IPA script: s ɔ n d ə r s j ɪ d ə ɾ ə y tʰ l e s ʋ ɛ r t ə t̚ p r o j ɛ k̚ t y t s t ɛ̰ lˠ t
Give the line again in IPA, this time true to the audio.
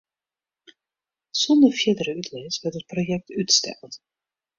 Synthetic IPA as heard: s ɔ n d ə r f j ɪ d ə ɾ ə y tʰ l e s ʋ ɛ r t ə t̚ p r o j ɛ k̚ t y t s t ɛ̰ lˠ t